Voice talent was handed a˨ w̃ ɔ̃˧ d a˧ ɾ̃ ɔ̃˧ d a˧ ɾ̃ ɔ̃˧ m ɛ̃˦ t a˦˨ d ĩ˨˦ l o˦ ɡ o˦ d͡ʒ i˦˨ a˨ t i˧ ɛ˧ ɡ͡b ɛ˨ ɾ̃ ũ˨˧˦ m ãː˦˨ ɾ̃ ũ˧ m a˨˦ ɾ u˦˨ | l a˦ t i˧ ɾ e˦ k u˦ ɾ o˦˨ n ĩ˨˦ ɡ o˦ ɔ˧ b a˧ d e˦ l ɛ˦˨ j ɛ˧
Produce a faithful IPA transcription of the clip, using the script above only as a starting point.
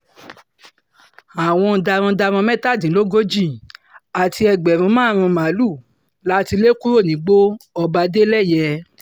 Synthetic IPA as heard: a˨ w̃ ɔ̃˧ d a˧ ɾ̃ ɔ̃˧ d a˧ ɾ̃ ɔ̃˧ m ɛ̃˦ t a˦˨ d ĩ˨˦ l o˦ ɡ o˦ d͡ʒ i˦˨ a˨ t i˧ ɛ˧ ɡ͡b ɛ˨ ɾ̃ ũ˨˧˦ m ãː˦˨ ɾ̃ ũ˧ m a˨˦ l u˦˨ | l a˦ t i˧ l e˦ k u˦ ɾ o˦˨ n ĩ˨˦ ɡ͡b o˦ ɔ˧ b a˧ d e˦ l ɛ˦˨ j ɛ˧